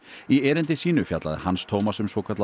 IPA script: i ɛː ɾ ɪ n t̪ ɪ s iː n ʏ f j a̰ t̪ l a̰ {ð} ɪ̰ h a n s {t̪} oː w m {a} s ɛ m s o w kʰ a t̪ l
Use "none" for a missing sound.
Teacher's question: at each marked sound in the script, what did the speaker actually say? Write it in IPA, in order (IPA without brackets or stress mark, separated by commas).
ð, t̪ʰ, a